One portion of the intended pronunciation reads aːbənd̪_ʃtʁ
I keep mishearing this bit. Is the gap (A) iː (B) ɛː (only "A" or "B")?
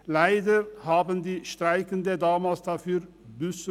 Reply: A